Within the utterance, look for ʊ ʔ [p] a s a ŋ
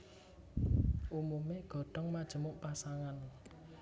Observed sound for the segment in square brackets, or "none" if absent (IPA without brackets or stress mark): p